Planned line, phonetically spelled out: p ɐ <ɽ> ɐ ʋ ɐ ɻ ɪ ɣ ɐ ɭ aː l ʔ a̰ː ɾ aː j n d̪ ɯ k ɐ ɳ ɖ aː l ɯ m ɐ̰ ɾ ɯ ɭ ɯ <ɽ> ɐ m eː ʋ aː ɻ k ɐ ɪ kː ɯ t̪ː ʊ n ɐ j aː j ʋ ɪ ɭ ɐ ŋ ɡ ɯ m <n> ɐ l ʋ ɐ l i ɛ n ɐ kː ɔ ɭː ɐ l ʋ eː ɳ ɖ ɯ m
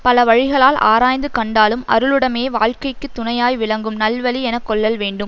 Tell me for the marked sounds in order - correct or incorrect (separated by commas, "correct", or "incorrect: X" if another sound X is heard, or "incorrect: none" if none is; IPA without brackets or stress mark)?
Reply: incorrect: l, correct, correct